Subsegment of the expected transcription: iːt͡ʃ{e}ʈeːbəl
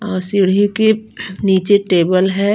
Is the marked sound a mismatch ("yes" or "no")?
no